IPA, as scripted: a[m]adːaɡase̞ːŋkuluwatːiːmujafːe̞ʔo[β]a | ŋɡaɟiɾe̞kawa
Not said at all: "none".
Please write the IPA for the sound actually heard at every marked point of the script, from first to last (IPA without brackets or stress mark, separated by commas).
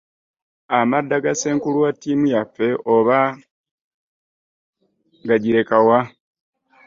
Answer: m, β